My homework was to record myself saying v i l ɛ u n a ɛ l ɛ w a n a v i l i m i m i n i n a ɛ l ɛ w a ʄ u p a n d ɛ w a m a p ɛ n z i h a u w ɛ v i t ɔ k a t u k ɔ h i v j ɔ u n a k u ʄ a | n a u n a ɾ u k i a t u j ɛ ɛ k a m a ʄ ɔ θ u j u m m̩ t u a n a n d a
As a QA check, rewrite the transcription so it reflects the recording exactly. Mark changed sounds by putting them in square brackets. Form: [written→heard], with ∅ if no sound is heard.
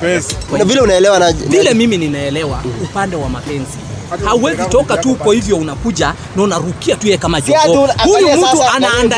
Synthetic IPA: v i l ɛ u n a ɛ l ɛ w a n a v i l [i→ɛ] m i m i n i n a ɛ l ɛ w a [ʄ→∅] u p a n d ɛ w a m a p ɛ n z i h a u w ɛ [v→z] i t ɔ k a t u k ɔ h i v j ɔ u n a k u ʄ a | n a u n a ɾ u k i a t u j ɛ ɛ k a m a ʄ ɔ [θ→h] u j u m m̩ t u a n a n d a